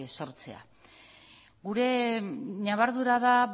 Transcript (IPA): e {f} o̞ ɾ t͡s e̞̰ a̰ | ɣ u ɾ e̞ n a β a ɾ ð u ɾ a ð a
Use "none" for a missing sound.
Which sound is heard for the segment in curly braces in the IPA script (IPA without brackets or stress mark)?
s